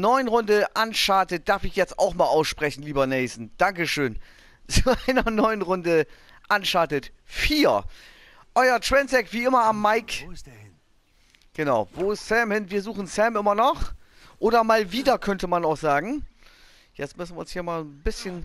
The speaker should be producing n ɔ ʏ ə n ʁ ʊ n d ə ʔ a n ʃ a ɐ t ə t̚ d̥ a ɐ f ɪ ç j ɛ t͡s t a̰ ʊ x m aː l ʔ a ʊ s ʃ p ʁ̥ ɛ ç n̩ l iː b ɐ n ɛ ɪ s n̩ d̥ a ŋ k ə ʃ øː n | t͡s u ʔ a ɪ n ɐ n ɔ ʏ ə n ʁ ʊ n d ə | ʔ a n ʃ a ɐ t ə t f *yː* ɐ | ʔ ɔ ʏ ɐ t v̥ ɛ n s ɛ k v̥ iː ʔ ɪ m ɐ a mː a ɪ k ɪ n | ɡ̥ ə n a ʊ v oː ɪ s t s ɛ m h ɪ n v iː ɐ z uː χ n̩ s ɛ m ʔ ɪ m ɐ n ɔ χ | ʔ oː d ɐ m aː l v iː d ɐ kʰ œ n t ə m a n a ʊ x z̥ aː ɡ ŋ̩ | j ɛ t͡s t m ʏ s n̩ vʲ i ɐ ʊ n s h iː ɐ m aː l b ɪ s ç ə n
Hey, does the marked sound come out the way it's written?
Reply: no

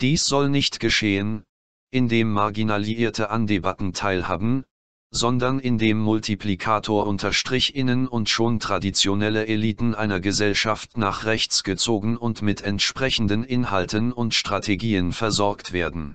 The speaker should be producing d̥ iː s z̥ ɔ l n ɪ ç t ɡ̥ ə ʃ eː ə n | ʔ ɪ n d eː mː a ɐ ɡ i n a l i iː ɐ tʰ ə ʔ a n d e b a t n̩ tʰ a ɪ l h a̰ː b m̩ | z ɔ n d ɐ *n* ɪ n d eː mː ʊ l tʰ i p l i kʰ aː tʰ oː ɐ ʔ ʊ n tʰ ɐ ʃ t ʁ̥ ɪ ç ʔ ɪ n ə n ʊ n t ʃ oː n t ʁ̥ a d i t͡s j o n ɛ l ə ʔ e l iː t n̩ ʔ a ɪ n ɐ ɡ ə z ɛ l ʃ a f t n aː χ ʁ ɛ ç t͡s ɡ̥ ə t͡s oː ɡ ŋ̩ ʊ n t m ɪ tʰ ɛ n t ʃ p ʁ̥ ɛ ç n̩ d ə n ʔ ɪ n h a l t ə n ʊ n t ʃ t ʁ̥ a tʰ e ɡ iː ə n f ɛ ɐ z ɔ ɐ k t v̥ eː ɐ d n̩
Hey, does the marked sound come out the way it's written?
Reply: yes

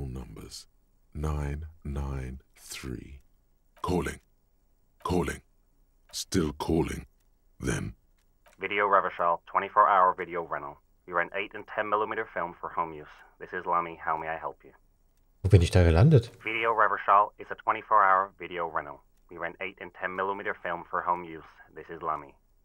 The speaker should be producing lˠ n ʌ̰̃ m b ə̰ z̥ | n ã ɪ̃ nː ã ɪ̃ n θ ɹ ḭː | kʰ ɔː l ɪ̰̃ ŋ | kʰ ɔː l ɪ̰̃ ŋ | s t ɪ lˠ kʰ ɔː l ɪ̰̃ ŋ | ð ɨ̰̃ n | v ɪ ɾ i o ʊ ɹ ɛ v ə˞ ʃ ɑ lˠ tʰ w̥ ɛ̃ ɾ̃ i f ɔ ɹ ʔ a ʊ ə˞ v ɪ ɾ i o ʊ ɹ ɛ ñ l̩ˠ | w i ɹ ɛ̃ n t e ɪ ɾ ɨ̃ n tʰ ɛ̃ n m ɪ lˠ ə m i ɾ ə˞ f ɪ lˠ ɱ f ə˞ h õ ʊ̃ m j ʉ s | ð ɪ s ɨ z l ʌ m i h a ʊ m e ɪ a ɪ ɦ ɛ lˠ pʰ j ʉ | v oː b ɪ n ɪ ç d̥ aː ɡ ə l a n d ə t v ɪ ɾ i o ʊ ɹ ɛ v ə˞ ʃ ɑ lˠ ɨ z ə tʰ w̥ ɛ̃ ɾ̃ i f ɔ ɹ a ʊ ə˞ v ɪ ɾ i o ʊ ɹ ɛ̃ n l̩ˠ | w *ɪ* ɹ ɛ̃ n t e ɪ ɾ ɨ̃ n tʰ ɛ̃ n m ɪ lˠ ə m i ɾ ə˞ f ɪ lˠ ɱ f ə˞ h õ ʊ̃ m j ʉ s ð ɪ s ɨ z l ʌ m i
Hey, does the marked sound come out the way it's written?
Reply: no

